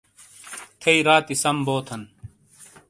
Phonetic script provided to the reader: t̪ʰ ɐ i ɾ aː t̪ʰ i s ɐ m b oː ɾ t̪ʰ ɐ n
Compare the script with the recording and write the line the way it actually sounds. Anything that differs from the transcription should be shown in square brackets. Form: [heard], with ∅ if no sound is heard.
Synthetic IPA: t̪ʰ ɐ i ɾ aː [t̪] i s ɐ m b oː [∅] t̪ʰ ɐ n